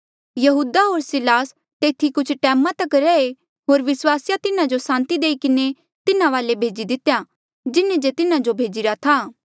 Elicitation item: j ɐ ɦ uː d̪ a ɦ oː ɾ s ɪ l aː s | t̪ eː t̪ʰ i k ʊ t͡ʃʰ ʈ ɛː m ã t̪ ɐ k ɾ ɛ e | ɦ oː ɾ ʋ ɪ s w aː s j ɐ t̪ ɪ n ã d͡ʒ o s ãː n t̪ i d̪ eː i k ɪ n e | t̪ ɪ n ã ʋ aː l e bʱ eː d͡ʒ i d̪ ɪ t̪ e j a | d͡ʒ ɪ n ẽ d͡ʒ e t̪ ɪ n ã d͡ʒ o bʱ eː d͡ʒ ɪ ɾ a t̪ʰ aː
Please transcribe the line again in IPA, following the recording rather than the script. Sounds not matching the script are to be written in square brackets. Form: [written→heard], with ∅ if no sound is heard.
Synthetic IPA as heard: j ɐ ɦ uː d̪ a ɦ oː ɾ s ɪ l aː s | t̪ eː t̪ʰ i k ʊ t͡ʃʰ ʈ ɛː m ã t̪ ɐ k ɾ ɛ e | ɦ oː ɾ ʋ ɪ s w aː s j [ɐ→a] t̪ ɪ n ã d͡ʒ o s ãː n t̪ i d̪ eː i k ɪ n e | t̪ ɪ n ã ʋ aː l e bʱ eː d͡ʒ i d̪ ɪ t̪ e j a | d͡ʒ ɪ n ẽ d͡ʒ e t̪ ɪ n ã d͡ʒ o bʱ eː d͡ʒ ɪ ɾ a t̪ʰ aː